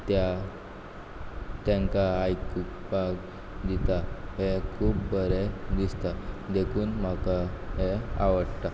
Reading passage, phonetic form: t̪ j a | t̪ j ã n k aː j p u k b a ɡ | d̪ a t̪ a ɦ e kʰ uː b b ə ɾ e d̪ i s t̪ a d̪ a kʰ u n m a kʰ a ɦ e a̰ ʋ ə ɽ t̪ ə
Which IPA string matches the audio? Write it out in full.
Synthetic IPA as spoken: t̪ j a | t̪ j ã ŋ k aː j k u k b a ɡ | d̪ i t̪ a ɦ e kʰ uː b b ə ɾ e d̪ i s t̪ a d̪ e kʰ uː n m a k a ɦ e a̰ ʋ ə ɽ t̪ a